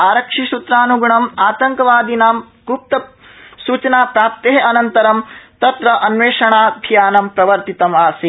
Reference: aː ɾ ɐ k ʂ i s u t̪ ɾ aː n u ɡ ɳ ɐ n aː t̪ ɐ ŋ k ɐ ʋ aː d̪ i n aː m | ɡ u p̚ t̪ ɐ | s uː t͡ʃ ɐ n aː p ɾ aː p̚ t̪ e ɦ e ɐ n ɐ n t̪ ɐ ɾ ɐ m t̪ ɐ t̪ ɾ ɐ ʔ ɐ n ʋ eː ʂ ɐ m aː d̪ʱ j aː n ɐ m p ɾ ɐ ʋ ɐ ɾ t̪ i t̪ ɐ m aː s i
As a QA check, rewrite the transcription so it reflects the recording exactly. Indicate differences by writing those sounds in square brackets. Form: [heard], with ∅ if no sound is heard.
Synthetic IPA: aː ɾ ɐ k ʂ i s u t̪ ɾ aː n u ɡ ɳ ɐ [m] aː t̪ ɐ ŋ k ɐ ʋ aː d̪ i n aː m | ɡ u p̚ t̪ ɐ | s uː t͡ʃ ɐ n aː p ɾ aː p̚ t̪ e ɦ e ɐ n ɐ n t̪ ɐ ɾ ɐ m t̪ ɐ t̪ ɾ ɐ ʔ ɐ n ʋ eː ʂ ɐ [ɳ] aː d̪ʱ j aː n ɐ m p ɾ ɐ ʋ ɐ ɾ t̪ i t̪ ɐ m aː s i